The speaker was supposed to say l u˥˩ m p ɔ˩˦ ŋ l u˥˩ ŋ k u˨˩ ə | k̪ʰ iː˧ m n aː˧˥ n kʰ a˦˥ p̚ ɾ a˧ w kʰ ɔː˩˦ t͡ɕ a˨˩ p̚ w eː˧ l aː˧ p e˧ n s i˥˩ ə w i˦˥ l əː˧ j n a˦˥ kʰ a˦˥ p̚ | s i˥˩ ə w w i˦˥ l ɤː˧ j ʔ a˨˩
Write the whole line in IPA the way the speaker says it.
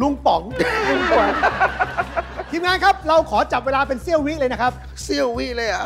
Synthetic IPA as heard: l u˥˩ ŋ p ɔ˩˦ ŋ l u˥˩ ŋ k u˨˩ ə | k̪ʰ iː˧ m ŋ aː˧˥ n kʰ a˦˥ p̚ ɾ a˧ w kʰ ɔː˩˦ t͡ɕ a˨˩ p̚ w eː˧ l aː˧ p e˧ n s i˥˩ ə w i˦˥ l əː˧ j n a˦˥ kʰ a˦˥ p̚ | s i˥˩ ə w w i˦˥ l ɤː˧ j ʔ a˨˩